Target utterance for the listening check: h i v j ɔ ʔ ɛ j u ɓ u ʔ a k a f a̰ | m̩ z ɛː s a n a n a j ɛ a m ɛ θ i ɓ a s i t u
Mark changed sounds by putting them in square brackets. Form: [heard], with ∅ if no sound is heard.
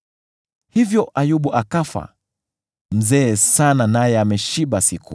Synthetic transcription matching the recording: h i v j ɔ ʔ [a] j u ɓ u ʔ a k a f a̰ | m̩ z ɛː s a n a n a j ɛ a m ɛ [ʃ] i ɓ a s i [k] u